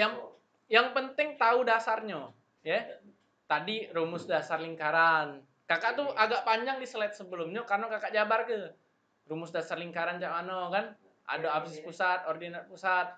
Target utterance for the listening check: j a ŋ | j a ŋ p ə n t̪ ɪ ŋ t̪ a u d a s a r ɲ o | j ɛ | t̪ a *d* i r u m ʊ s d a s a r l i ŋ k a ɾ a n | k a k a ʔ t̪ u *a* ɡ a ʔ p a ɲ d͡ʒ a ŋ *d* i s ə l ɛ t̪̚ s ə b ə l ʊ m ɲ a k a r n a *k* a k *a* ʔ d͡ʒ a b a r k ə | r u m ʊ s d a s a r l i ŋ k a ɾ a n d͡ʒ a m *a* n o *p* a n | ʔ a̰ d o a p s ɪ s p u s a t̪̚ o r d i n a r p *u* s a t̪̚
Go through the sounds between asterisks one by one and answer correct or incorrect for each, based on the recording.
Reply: correct, correct, correct, correct, correct, correct, incorrect: k, correct

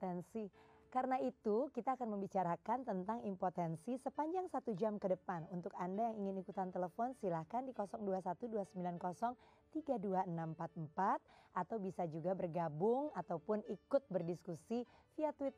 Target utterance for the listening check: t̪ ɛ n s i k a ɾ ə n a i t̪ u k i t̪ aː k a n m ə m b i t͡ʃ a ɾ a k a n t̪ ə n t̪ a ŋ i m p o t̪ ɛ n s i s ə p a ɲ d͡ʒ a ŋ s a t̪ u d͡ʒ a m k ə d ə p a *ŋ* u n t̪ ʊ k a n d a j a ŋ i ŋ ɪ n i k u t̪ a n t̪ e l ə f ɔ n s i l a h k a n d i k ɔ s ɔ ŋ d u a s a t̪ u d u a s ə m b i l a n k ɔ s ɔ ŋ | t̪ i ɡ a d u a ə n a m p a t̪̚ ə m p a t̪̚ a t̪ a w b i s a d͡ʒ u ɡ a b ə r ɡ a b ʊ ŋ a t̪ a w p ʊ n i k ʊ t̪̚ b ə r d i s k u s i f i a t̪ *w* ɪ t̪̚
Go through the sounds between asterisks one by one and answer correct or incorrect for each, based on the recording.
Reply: incorrect: n, correct

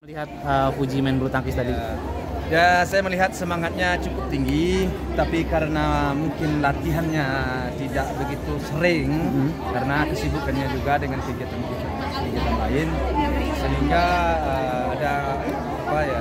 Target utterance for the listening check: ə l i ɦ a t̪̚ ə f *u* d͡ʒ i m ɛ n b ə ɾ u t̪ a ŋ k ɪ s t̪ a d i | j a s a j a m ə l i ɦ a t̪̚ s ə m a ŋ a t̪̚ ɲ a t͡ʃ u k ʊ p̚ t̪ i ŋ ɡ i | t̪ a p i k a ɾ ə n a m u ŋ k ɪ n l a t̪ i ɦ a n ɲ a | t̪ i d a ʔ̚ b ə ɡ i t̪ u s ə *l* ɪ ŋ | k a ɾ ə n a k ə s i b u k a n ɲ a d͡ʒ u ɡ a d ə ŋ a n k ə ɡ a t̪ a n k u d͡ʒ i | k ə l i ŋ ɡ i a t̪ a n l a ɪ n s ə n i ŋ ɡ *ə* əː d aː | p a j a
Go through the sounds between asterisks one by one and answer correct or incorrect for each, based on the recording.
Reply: correct, incorrect: ɾ, incorrect: a

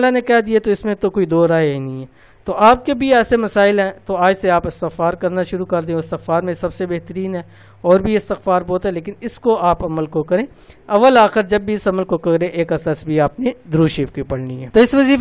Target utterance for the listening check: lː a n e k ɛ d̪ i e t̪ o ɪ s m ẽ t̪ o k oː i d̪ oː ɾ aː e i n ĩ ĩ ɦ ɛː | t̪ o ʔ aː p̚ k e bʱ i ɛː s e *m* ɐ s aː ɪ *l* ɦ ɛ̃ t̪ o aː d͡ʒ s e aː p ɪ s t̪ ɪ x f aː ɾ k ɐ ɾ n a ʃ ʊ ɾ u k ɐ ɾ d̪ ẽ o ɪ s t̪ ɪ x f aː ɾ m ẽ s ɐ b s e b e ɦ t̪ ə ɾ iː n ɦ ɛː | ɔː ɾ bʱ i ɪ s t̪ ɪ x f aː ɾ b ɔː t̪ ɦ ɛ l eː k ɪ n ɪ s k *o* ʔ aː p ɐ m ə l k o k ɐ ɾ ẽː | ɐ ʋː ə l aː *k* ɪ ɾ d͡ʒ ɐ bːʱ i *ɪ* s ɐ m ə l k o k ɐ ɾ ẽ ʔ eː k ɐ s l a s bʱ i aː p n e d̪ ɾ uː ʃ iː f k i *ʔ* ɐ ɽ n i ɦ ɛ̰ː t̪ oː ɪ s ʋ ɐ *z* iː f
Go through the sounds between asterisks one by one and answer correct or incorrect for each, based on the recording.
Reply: correct, correct, correct, incorrect: x, correct, incorrect: p, correct

